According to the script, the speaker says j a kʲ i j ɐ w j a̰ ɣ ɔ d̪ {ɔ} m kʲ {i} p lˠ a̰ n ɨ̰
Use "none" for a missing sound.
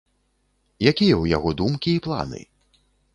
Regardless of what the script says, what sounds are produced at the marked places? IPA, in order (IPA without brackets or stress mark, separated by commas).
u, iː